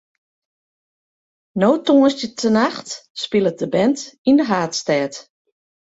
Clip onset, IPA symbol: n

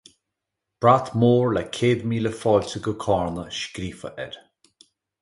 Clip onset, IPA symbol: b̥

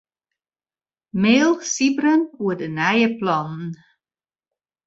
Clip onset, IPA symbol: m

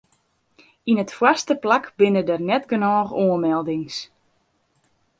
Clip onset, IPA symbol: i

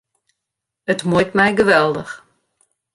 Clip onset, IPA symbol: ə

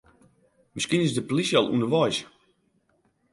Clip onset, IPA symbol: m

